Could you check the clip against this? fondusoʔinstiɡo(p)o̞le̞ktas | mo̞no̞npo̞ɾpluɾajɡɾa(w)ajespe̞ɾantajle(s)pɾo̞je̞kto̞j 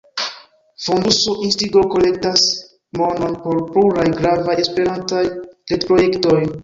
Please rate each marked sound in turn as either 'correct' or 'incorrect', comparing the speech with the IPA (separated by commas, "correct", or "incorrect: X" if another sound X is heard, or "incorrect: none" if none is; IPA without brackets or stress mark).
incorrect: k, incorrect: v, incorrect: t